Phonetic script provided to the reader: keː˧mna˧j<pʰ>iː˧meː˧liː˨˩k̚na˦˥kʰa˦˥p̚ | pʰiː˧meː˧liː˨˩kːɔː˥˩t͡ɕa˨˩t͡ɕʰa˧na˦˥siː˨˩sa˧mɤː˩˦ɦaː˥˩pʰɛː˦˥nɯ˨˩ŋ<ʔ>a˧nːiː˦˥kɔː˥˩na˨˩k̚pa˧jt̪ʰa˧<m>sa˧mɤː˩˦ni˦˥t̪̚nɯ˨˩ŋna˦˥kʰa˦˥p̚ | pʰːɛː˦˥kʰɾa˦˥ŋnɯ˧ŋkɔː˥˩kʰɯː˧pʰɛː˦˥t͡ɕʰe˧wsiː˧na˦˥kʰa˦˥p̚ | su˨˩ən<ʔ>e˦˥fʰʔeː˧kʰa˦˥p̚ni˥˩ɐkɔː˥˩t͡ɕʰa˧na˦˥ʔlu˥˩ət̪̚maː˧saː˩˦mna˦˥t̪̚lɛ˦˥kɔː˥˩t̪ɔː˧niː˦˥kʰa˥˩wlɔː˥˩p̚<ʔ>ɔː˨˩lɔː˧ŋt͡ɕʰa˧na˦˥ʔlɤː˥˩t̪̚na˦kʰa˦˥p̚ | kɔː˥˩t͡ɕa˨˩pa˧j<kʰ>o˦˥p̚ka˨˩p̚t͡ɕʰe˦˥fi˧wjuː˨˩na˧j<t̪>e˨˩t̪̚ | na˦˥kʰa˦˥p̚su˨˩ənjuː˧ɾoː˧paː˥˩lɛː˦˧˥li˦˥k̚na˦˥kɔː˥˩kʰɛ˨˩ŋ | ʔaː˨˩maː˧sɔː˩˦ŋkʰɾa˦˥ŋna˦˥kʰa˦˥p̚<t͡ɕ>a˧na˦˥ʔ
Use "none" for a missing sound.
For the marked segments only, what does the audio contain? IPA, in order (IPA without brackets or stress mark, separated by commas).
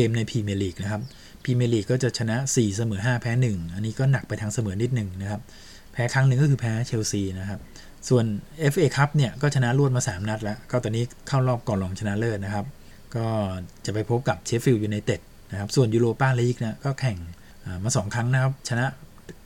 pʰ, ʔ, ŋ, ʔ, k, pʰ, t̪, t͡ɕʰ